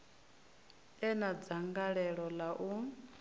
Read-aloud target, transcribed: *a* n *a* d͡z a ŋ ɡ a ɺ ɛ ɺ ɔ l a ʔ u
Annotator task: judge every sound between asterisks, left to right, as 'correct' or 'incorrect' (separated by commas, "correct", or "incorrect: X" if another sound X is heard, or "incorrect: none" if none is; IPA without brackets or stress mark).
incorrect: ɛ, correct